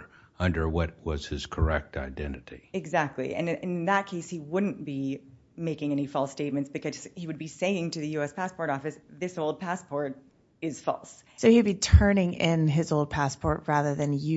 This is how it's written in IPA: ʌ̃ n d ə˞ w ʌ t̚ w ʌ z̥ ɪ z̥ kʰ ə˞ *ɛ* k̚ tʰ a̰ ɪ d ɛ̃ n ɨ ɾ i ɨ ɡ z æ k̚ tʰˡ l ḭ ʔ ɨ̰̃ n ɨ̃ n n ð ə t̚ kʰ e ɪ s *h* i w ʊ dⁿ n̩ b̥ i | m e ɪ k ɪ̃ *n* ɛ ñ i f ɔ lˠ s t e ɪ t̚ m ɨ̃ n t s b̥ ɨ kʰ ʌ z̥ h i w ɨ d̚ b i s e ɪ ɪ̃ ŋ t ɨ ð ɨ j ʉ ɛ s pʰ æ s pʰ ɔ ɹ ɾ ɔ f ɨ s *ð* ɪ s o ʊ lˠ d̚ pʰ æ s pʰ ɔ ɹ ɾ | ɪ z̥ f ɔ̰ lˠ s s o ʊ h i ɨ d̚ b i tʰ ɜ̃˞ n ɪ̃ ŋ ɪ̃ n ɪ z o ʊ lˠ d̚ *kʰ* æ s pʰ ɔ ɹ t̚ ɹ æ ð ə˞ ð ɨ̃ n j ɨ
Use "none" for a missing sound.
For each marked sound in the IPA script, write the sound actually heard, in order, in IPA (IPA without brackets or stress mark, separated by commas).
ɛ, h, ŋ, ð, pʰ